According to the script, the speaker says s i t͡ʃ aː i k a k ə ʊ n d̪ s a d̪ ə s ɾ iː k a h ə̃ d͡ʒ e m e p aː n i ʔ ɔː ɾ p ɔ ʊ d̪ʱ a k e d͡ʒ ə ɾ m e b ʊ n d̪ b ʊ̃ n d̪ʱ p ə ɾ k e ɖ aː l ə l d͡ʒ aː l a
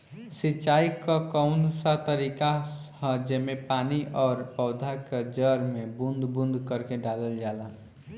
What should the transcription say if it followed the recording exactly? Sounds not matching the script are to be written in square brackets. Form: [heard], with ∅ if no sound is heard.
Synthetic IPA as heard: s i t͡ʃ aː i k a k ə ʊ n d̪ s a [t̪] ə [∅] ɾ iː k a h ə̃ d͡ʒ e m e p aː n i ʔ ɔː ɾ p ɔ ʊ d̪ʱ a k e d͡ʒ ə ɾ m e b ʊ n d̪ b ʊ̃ n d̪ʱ [k] ə ɾ k e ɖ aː l ə l d͡ʒ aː l a

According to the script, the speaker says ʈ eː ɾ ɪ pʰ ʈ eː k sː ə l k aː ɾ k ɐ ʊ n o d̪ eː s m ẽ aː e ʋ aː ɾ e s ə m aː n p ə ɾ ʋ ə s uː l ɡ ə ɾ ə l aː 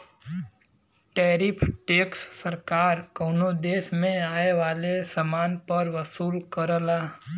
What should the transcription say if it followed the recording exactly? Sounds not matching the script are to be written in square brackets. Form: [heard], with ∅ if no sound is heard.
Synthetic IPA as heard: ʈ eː ɾ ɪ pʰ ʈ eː k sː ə [ɾ] k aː ɾ k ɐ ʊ n o d̪ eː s m ẽ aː e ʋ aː [l] e s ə m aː n p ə ɾ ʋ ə s uː l [k] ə ɾ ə l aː

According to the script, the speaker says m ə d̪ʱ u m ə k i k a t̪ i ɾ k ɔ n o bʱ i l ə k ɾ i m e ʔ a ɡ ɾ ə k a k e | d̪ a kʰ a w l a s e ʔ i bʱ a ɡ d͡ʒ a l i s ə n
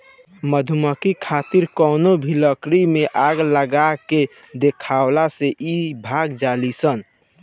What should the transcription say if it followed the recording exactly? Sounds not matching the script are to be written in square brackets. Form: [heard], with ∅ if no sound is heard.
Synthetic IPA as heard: m ə d̪ʱ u m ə k i [kʰ] a t̪ i ɾ k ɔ n o bʱ i l ə k ɾ i m e ʔ a ɡ [l] ə [ɡ] a k e | d̪ [e] kʰ a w l a s e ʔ i bʱ a ɡ d͡ʒ a l i s ə n

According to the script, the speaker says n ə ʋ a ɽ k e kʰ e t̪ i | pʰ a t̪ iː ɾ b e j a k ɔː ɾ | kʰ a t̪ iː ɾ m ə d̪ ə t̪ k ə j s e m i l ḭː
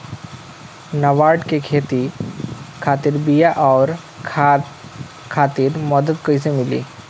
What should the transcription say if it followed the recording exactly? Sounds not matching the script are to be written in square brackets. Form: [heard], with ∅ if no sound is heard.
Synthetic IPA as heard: n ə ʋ a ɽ k e kʰ e t̪ i | [kʰ] a t̪ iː ɾ b [i] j a [ʔ] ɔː ɾ | kʰ a t̪ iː ɾ m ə d̪ ə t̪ k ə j s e m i l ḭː

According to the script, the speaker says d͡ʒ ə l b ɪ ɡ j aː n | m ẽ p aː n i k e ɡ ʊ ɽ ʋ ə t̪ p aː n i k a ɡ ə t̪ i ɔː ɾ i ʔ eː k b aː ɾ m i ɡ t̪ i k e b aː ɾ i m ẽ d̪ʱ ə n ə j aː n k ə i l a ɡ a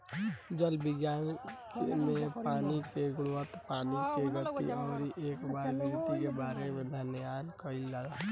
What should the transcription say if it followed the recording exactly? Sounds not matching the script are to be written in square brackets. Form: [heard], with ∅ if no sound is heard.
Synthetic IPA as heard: d͡ʒ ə l b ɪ ɡ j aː n | m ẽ p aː n i k e ɡ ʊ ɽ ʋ ə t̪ p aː n i k [e] ɡ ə t̪ i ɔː ɾ i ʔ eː k b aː ɾ [b] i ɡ t̪ i k e b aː ɾ [e] m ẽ d̪ʱ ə n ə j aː n k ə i l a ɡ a

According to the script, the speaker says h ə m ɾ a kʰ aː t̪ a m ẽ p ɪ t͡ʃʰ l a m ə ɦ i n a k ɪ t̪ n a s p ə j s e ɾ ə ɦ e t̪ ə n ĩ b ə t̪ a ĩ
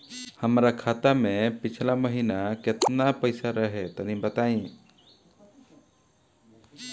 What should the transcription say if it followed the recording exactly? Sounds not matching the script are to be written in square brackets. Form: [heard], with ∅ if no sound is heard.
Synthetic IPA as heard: h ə m ɾ a kʰ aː t̪ a m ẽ p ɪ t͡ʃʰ l a m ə ɦ i n a k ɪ t̪ n a [∅] p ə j s [a] ɾ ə ɦ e t̪ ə n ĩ b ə t̪ a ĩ

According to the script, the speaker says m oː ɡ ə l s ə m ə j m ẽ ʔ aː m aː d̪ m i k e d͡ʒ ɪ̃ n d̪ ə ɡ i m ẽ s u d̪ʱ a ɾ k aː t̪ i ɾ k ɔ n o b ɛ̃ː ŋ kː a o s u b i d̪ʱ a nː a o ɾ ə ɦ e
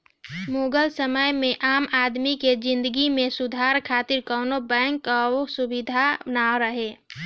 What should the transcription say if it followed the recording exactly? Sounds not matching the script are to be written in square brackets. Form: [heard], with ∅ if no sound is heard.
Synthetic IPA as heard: m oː ɡ ə l s ə m ə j m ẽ ʔ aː m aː d̪ m i k e d͡ʒ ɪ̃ n d̪ ə ɡ i m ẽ s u d̪ʱ a ɾ [kʰ] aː t̪ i ɾ k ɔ n o b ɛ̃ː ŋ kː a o s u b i d̪ʱ a [n] a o ɾ ə ɦ e

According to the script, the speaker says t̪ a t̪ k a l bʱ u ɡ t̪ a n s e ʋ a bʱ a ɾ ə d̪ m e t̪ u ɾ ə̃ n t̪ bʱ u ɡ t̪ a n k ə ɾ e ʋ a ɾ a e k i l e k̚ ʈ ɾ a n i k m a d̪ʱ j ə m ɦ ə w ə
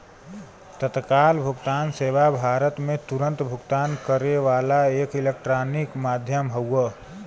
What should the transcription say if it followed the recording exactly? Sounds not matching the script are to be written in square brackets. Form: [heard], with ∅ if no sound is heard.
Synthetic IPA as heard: t̪ [ə] t̪ k a l bʱ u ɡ t̪ a n s e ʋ a bʱ a ɾ ə [t̪] m e t̪ u ɾ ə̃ n t̪ bʱ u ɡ t̪ a n k ə ɾ e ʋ a [l] a e k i l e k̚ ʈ ɾ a n i k m a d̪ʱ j ə m ɦ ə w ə

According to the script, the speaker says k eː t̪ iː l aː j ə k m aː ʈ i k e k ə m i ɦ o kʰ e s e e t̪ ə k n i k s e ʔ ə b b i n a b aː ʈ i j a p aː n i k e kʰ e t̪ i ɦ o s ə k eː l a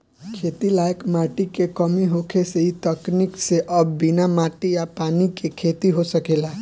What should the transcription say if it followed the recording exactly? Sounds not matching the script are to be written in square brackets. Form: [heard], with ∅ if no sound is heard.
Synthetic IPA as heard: [kʰ] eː t̪ [i] l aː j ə k m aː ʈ i k e k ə m i ɦ o kʰ e s e [i] t̪ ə k n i k s e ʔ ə b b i n a [m] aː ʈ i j a p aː n i k e kʰ e t̪ i ɦ o s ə k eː l a

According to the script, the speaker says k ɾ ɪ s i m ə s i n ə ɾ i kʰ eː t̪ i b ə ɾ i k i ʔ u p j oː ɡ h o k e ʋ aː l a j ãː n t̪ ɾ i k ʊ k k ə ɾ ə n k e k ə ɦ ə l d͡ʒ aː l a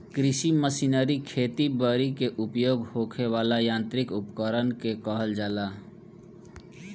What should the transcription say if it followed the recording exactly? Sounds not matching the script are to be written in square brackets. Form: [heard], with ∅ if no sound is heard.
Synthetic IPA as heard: k ɾ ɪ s i m ə s i n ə ɾ i kʰ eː t̪ i b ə ɾ i k [e] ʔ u p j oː ɡ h o [kʰ] e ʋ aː l a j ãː n t̪ ɾ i k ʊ [p] k ə ɾ ə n k e k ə ɦ ə l d͡ʒ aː l a

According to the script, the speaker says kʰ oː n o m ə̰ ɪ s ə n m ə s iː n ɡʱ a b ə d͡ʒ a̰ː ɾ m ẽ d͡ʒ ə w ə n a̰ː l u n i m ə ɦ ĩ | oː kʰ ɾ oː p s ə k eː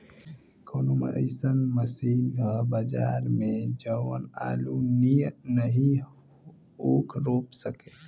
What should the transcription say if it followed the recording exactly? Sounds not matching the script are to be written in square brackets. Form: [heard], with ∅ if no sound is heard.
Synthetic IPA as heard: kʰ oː n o m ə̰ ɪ s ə n m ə s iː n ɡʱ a b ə d͡ʒ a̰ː ɾ m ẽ d͡ʒ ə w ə n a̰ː l u n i [n] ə ɦ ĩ | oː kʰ ɾ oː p s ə k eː

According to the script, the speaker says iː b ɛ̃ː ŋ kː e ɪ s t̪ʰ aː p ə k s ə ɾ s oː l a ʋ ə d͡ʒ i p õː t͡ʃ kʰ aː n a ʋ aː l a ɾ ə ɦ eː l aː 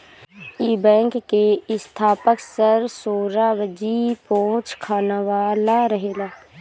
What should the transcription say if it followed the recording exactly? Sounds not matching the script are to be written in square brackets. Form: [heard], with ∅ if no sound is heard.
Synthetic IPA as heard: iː b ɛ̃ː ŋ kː e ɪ s t̪ʰ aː p ə k s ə ɾ s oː [ɾ] a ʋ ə d͡ʒ i p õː t͡ʃ kʰ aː n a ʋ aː l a ɾ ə ɦ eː l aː

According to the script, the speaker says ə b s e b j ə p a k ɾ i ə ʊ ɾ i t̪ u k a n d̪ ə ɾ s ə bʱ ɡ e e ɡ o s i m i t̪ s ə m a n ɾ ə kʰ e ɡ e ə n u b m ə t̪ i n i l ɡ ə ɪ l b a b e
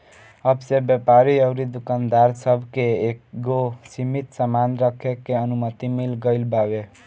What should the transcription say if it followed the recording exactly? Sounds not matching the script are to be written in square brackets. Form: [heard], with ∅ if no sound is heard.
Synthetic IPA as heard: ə b s e b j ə p a [∅] ɾ i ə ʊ ɾ i [d̪] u k a n d̪ [a] ɾ s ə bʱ [k] e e ɡ o s i m i t̪ s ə m a n ɾ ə kʰ e [k] e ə n u [∅] m ə t̪ i [m] i l ɡ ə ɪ l b a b e

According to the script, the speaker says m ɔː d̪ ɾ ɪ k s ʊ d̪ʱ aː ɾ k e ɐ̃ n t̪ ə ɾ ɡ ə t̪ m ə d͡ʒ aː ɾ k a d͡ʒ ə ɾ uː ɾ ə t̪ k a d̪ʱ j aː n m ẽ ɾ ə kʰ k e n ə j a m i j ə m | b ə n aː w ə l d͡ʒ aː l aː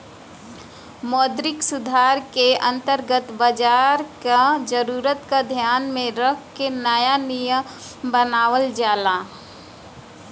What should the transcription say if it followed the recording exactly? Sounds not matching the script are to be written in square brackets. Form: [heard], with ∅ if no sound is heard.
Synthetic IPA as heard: m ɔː d̪ ɾ ɪ k s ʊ d̪ʱ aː ɾ k e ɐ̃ n t̪ ə ɾ ɡ ə t̪ [b] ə d͡ʒ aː ɾ k a d͡ʒ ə ɾ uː ɾ ə t̪ k a d̪ʱ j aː n m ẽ ɾ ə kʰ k e n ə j a [n] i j ə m | b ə n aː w ə l d͡ʒ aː l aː

